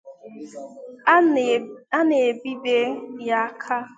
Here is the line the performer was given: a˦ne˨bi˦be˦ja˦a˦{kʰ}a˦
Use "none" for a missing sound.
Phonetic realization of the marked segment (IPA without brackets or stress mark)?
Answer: kʰ